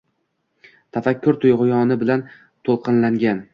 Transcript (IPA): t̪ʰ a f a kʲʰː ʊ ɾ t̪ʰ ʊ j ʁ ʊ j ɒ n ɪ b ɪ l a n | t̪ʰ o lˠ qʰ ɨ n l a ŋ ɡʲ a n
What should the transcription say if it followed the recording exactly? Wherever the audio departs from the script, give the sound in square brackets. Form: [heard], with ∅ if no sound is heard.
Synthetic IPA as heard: t̪ʰ a f a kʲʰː ʊ ɾ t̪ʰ ʊ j ʁ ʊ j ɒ n ɪ b ɪ l a n | t̪ʰ o lˠ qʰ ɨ n l a ŋ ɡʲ a n